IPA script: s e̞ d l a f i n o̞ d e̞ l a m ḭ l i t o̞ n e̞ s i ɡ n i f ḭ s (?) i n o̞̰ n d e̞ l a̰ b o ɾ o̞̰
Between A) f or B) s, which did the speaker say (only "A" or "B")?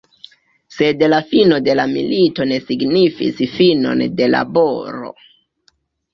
A